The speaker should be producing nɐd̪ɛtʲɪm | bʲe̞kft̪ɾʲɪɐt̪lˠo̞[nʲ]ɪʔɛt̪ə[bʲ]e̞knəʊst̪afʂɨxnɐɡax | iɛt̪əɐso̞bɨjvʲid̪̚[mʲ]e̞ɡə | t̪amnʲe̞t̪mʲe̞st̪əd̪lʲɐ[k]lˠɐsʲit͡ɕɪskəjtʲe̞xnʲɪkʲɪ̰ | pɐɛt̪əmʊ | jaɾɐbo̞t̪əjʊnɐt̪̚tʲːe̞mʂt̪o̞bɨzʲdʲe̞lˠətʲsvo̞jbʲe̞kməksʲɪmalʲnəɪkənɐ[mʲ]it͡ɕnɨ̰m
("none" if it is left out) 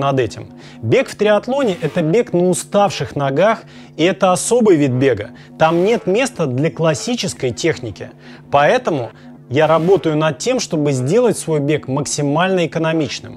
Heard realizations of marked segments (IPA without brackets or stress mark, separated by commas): nʲ, bʲ, bʲ, k, mʲ